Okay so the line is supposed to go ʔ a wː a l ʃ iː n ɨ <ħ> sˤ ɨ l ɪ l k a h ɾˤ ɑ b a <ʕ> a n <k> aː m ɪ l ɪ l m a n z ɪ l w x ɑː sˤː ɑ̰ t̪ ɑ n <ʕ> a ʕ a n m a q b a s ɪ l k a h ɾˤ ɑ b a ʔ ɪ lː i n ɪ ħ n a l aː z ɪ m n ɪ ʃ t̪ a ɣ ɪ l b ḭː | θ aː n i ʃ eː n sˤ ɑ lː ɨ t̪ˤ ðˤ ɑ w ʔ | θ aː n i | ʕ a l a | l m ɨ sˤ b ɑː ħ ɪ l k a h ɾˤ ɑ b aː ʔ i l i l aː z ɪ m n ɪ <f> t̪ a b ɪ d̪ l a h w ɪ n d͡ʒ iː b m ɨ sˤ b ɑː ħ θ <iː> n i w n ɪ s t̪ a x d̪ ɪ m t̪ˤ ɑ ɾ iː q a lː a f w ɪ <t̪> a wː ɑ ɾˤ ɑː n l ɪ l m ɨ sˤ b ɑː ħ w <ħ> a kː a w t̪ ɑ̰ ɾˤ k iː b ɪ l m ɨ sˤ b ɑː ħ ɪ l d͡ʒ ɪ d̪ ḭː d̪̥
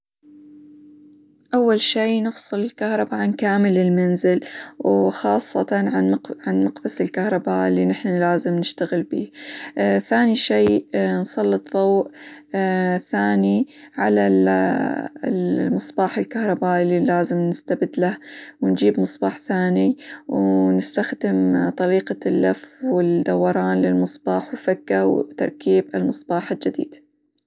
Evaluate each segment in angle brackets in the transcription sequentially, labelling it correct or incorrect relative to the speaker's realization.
incorrect: f, correct, correct, correct, incorrect: s, incorrect: aː, incorrect: d̪, incorrect: f

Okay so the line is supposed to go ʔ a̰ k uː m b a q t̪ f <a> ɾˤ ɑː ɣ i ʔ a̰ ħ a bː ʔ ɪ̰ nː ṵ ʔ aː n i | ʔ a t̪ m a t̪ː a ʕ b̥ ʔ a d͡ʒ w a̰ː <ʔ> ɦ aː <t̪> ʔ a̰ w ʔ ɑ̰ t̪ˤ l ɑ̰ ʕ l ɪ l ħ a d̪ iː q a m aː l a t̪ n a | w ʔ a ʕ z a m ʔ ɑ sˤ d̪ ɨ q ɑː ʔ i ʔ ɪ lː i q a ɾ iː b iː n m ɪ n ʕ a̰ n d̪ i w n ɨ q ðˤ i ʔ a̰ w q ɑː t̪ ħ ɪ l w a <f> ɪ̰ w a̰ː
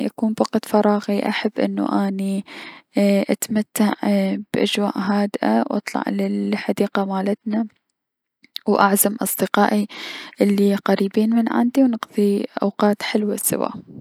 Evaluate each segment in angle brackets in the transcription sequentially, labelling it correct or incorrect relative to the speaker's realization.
incorrect: ɑ, correct, incorrect: d̪, incorrect: s

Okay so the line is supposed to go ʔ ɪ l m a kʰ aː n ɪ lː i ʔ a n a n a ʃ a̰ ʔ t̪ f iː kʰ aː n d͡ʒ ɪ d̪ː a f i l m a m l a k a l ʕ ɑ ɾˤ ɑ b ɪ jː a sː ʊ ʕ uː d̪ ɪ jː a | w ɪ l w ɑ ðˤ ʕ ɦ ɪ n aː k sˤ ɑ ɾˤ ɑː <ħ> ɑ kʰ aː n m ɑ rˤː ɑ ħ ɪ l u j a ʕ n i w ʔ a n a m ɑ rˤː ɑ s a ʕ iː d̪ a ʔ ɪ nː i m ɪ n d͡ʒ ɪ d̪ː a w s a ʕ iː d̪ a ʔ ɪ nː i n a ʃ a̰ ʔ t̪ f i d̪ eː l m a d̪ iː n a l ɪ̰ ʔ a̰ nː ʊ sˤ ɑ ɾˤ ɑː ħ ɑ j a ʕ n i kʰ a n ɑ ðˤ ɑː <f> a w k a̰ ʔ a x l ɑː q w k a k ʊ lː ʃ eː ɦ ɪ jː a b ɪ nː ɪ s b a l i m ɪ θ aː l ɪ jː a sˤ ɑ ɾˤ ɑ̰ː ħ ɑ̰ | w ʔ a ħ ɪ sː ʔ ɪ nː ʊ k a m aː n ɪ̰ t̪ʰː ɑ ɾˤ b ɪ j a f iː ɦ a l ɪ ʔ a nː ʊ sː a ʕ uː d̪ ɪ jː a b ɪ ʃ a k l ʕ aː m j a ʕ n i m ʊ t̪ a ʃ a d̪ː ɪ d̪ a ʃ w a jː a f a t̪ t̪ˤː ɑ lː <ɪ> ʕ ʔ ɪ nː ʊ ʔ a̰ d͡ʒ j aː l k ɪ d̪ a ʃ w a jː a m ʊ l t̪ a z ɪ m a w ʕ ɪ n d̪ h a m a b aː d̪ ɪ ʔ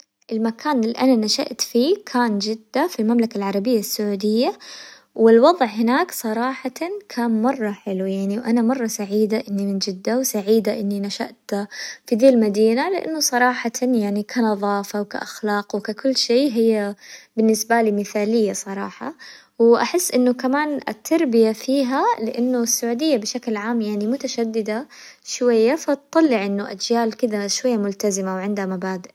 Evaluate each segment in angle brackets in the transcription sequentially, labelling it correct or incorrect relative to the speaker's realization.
correct, correct, correct

